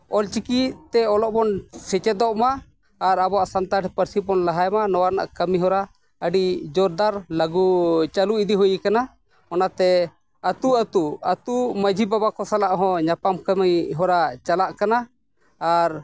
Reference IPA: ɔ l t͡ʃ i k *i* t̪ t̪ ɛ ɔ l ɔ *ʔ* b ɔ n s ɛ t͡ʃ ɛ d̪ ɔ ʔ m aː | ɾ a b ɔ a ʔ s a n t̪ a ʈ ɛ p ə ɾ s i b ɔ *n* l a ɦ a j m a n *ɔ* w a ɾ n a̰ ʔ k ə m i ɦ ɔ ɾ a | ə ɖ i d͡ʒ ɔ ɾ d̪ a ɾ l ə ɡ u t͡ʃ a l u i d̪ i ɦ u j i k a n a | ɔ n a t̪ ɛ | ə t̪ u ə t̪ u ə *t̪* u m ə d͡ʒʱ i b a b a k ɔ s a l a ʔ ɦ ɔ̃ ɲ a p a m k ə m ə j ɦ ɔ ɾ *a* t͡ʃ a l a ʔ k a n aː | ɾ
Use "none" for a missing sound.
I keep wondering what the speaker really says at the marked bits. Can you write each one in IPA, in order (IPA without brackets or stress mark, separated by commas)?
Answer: i, ʔ, n, ɔ, t̪, a